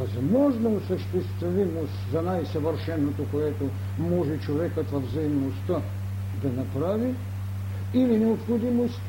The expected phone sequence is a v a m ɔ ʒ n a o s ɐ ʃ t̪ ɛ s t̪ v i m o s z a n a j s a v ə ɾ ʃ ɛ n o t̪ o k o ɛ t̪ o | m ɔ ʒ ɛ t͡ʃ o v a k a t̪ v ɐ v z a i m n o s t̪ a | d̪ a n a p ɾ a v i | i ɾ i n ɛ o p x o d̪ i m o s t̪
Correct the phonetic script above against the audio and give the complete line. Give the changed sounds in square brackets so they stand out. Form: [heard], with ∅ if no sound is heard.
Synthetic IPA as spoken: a [z] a m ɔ ʒ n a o s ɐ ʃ t̪ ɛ s t̪ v i m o s z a n a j s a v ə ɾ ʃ ɛ n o t̪ o k o ɛ t̪ o | m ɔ ʒ ɛ t͡ʃ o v [ɛ] k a t̪ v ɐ v z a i m n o s t̪ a | d̪ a n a p ɾ a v i | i [l] i n ɛ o p x o d̪ i m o s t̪